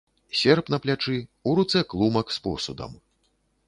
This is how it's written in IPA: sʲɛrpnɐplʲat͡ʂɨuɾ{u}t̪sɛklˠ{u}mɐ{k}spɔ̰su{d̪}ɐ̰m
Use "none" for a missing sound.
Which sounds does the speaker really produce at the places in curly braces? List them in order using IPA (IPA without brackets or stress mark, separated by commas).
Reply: u, u, k, d̪